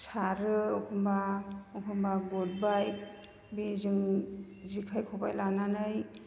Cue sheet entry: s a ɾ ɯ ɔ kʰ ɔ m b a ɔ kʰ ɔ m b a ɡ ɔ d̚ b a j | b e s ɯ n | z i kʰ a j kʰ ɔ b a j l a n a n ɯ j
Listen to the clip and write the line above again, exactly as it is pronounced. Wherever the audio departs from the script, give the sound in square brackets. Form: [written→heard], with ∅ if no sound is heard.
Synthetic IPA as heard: s a ɾ ɯ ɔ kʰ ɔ m b a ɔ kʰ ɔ m b a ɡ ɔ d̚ b a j | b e [s→z] ɯ [n→ŋ] | z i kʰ a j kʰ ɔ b a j l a n a n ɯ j